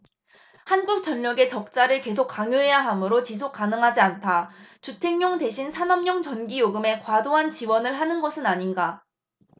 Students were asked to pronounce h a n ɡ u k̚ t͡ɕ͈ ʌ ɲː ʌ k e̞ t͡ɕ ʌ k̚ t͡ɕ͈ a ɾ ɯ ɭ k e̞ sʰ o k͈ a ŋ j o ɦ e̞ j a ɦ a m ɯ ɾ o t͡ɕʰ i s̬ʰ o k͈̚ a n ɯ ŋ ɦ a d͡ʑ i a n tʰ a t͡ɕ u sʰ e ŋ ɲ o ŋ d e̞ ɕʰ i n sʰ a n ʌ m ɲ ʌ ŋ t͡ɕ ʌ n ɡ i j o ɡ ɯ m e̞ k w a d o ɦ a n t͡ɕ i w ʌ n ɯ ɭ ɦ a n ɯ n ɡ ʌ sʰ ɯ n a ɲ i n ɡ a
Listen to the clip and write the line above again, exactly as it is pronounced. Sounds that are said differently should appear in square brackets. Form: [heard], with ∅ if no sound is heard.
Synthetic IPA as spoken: h a n ɡ u k̚ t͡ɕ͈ ʌ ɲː ʌ [ɡ] e̞ t͡ɕ ʌ k̚ t͡ɕ͈ a ɾ ɯ ɭ k e̞ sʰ o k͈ a ŋ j o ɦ e̞ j a ɦ a m ɯ ɾ o [t͡ɕ] i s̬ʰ o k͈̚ a n ɯ ŋ ɦ a d͡ʑ i a n tʰ a t͡ɕ u [tʰ] e ŋ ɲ o ŋ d e̞ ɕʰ i n sʰ a n ʌ m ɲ ʌ ŋ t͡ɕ ʌ n ɡ i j o ɡ ɯ m e̞ k w a d o ɦ a n t͡ɕ i w ʌ n ɯ ɭ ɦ a n ɯ n ɡ ʌ sʰ ɯ n a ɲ i n ɡ a